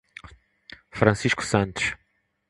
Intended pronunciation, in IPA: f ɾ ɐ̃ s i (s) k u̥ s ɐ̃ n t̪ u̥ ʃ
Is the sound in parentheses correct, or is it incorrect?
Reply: incorrect: ʃ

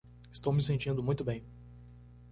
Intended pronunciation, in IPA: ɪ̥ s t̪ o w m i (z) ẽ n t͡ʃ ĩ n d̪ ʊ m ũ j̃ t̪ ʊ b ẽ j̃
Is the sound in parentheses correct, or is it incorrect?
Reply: incorrect: s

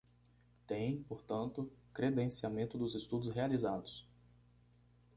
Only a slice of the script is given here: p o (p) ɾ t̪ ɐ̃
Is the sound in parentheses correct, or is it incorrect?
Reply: incorrect: none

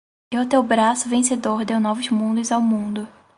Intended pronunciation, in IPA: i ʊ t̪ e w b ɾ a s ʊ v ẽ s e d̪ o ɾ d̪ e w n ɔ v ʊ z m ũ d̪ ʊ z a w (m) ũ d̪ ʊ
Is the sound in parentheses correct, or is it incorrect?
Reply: correct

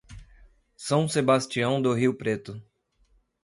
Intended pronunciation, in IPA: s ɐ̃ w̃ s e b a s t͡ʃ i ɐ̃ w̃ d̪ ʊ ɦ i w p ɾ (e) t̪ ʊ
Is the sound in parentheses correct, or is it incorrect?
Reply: correct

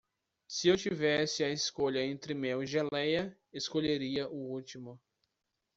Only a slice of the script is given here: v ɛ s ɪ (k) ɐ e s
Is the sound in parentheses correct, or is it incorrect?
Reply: incorrect: none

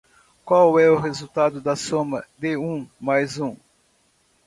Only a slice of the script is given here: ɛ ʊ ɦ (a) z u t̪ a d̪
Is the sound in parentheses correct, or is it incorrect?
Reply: incorrect: e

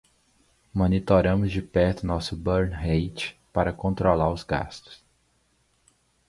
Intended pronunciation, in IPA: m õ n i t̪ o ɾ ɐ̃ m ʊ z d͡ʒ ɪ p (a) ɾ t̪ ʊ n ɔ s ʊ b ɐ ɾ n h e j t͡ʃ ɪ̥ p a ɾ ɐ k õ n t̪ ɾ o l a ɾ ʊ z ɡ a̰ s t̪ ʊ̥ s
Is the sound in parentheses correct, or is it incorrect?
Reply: incorrect: ɛ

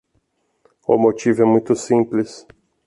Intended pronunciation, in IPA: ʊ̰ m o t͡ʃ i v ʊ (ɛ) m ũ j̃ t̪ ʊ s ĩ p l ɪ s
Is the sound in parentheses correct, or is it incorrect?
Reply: correct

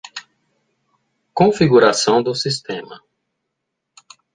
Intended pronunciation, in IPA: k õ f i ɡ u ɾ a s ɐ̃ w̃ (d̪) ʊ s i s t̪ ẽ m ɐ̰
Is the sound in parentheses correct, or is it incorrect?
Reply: correct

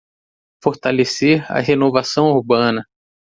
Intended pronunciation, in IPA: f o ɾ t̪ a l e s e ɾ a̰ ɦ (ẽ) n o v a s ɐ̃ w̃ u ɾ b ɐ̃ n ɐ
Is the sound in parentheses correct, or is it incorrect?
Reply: incorrect: e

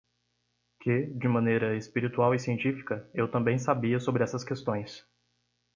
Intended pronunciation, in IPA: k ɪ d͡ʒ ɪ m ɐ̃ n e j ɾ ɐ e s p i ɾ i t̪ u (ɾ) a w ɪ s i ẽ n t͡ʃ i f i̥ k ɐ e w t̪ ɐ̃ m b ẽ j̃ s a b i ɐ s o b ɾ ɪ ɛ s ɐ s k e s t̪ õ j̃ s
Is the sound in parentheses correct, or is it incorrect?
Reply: incorrect: none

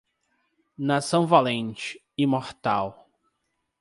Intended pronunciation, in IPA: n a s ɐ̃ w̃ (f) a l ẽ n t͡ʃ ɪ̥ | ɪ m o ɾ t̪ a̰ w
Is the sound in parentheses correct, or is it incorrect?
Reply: incorrect: v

